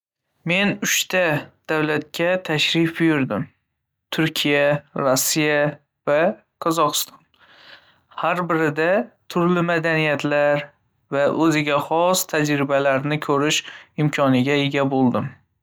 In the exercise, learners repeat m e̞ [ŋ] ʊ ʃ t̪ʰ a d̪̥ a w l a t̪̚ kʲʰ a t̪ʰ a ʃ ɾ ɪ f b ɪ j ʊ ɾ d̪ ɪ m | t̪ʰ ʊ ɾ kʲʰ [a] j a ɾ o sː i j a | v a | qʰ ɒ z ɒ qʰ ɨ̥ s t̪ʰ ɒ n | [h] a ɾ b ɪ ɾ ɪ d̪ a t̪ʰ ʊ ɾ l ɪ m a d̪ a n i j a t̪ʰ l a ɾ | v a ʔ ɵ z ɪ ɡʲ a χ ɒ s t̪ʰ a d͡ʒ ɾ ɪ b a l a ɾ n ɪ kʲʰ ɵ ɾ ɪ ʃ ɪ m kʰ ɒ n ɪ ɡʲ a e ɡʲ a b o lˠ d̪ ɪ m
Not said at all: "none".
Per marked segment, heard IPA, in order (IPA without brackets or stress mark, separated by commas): n, i, h